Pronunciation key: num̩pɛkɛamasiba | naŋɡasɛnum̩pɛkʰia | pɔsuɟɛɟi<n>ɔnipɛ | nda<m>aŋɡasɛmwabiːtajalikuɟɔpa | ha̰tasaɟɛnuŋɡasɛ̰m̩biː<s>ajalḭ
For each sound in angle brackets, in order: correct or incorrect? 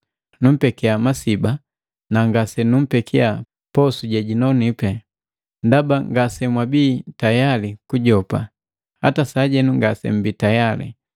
correct, incorrect: b, incorrect: t

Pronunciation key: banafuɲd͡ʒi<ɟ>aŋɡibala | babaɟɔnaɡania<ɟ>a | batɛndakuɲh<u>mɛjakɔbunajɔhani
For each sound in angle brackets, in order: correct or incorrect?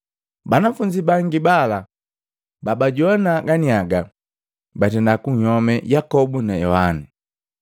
incorrect: b, incorrect: ɡ, incorrect: ɔ

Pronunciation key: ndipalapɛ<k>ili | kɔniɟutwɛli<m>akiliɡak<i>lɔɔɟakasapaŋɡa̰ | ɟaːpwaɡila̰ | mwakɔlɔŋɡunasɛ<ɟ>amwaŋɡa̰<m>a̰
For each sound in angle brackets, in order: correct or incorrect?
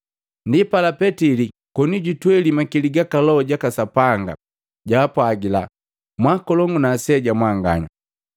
incorrect: t, correct, incorrect: a, correct, incorrect: ɲ

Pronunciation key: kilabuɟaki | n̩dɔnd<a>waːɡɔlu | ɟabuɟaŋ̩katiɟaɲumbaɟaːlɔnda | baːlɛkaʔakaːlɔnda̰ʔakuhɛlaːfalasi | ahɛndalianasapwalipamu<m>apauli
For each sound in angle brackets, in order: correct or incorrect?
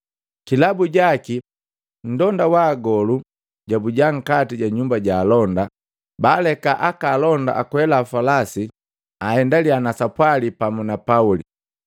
correct, incorrect: n

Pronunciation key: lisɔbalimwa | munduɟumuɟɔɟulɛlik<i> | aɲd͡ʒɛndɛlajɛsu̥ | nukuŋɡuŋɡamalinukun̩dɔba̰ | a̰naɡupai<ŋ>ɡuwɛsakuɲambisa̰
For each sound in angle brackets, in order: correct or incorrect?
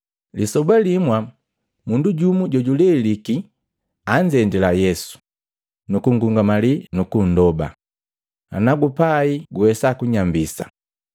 correct, incorrect: none

